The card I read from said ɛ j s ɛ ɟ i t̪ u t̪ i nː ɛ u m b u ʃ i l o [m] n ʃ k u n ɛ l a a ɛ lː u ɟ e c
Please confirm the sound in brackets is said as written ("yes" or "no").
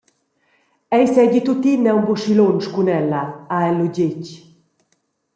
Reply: no